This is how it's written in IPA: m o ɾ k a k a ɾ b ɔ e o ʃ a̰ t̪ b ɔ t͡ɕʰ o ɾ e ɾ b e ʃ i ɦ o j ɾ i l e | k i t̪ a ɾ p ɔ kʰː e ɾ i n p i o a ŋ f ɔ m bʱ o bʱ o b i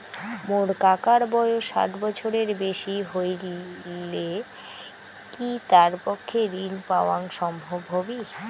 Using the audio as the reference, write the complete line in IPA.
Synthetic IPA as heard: m o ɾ k a k a ɾ b ɔ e o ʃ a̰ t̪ b ɔ t͡ɕʰ o ɾ e ɾ b e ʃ i ɦ o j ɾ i l e | k i t̪ a ɾ p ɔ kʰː e ɾ i n p a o a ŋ ʃ ɔ m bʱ o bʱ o b i